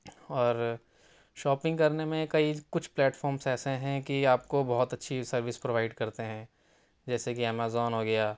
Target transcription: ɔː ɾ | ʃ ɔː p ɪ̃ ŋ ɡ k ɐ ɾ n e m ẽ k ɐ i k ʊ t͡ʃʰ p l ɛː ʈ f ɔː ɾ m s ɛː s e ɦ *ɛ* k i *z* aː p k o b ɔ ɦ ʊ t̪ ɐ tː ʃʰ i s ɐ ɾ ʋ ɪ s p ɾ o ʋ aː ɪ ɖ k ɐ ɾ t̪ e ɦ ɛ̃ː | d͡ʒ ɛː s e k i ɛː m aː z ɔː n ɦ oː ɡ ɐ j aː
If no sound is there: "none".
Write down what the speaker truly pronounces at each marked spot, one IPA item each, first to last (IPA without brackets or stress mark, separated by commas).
ɛ̃, none